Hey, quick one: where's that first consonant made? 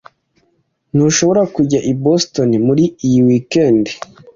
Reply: tongue tip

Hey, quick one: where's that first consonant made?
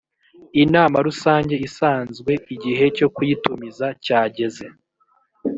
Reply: tongue tip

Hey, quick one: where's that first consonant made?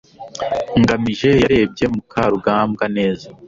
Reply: velum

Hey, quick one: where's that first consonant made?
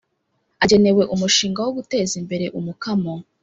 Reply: palate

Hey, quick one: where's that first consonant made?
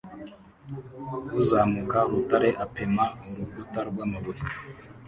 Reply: tongue tip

